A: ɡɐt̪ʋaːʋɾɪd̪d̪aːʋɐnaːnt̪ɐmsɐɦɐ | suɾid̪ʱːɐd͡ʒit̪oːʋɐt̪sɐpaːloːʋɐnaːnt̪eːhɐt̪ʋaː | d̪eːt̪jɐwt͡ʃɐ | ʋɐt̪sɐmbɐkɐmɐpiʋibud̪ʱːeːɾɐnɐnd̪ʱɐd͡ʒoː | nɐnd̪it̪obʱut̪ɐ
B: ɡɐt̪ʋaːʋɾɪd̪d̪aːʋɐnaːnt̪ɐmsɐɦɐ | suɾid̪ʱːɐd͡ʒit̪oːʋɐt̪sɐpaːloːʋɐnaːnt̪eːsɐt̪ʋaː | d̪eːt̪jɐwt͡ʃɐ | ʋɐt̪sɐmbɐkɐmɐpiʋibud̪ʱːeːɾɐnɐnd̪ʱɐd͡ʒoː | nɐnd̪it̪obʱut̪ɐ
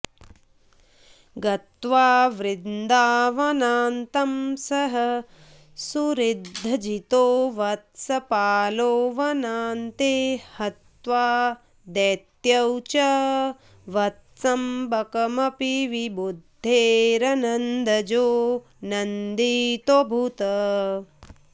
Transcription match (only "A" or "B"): A